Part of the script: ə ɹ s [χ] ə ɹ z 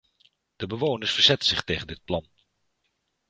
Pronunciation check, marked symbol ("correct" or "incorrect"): incorrect